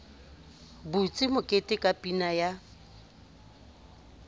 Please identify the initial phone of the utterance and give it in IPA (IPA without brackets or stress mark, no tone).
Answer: b